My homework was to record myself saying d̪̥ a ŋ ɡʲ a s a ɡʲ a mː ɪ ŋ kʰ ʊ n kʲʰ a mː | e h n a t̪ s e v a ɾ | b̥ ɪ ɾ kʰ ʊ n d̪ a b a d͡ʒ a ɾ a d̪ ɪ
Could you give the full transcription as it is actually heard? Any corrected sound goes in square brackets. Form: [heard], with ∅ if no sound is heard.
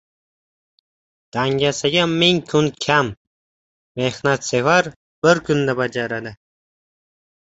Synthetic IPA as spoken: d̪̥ a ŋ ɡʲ a s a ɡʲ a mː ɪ ŋ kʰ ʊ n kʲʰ a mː | e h n a t̪ s e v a ɾ | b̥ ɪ ɾ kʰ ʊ n d̪ a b a d͡ʒ a ɾ a d̪ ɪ

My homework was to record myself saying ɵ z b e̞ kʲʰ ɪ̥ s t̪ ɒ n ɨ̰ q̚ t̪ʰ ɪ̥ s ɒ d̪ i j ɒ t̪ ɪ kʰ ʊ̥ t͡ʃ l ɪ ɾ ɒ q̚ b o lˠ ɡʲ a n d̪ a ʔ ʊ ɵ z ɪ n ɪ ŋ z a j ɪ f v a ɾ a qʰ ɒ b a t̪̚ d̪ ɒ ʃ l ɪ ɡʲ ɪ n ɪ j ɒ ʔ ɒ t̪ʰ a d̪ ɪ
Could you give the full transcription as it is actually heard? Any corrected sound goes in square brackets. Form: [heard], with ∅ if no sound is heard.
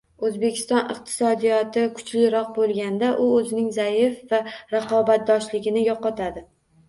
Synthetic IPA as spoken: ɵ z b e̞ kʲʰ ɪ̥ s t̪ ɒ n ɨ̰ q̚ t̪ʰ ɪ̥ s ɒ d̪ i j ɒ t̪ ɪ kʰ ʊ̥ t͡ʃ l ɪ ɾ ɒ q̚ b o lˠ ɡʲ a n d̪ a ʔ ʊ ɵ z ɪ n ɪ ŋ z a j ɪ f v a ɾ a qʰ ɒ b a t̪̚ d̪ ɒ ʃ l ɪ ɡʲ ɪ n ɪ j ɒ [q] ɒ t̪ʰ a d̪ ɪ

